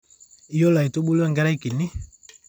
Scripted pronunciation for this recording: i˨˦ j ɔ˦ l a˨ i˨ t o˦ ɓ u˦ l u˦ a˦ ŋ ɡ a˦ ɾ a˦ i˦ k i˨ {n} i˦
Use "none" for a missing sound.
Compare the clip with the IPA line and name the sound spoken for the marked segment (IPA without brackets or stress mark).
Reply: n